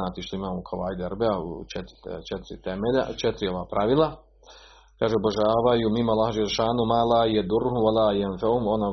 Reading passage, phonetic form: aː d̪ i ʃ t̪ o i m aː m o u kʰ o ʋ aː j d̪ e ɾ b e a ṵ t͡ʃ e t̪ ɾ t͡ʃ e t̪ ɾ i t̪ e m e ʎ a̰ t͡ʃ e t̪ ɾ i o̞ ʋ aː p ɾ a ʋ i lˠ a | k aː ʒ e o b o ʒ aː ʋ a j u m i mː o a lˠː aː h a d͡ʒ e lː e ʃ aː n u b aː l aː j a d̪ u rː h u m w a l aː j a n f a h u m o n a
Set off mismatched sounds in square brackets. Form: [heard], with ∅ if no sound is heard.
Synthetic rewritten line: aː [t̪] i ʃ t̪ o i m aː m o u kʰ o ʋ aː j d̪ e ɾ b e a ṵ t͡ʃ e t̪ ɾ t͡ʃ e t̪ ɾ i t̪ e m e ʎ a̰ t͡ʃ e t̪ ɾ i o̞ ʋ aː p ɾ a ʋ i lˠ a | k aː ʒ e o b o ʒ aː ʋ a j u m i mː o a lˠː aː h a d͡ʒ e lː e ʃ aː n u [m] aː l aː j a d̪ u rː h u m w a l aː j a n f a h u m o n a